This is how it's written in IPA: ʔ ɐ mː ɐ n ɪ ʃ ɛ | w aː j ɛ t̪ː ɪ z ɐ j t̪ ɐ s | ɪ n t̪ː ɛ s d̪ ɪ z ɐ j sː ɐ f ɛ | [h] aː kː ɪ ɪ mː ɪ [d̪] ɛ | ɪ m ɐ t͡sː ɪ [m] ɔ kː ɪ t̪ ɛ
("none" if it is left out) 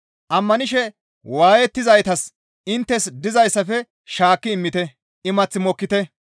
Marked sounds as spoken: ʃ, t̪, m

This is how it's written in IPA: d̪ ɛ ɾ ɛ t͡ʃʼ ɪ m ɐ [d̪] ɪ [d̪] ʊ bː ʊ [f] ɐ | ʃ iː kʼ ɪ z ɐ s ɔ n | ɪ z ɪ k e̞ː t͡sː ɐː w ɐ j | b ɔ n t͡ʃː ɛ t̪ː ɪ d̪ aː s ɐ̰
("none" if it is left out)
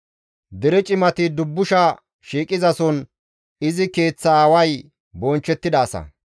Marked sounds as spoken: t̪, d̪, ʃ

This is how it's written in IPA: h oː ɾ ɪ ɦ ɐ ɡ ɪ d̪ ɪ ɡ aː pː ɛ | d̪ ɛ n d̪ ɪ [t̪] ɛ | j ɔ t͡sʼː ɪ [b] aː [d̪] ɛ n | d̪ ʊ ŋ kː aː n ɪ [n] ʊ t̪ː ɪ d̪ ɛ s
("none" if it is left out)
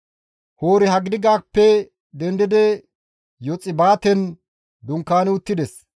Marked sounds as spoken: d̪, b, t̪, none

